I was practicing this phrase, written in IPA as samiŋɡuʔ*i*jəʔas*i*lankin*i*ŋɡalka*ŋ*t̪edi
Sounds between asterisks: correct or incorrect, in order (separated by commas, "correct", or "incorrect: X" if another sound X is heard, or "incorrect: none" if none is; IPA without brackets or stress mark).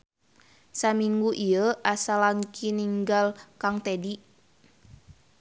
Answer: correct, incorrect: a, correct, correct